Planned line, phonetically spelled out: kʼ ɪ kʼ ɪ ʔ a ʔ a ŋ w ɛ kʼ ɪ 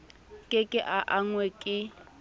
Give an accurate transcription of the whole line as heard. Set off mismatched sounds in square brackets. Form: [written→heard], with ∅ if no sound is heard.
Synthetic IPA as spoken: kʼ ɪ kʼ ɪ ʔ a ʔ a ŋ w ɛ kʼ ɪ